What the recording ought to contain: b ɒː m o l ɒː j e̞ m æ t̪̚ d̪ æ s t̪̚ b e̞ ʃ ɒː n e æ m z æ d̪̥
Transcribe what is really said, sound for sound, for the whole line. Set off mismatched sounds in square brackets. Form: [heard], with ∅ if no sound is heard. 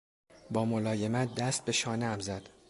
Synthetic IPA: b ɒː m o l ɒː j e̞ m æ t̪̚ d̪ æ s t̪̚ b e̞ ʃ ɒː n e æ m z æ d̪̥